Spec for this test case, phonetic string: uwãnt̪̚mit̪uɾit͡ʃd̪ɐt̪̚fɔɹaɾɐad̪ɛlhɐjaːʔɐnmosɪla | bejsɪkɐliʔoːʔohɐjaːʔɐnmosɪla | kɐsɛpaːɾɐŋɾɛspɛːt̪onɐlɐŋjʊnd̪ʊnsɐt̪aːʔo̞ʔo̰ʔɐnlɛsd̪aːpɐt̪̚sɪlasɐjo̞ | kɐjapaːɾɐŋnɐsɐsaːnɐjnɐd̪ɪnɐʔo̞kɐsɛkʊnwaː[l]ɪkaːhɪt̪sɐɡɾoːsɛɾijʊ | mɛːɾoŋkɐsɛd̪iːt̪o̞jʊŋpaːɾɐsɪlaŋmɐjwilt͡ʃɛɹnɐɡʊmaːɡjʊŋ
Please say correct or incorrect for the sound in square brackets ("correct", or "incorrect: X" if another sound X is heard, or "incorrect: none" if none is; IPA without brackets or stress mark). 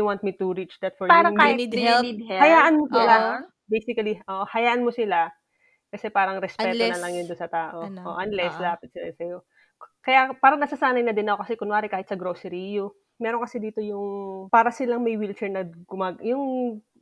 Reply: incorrect: ɾ